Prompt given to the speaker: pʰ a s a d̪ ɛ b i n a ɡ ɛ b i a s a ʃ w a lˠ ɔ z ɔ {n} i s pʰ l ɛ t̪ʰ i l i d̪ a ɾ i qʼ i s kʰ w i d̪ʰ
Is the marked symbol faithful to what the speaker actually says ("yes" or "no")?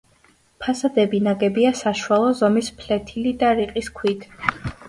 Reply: no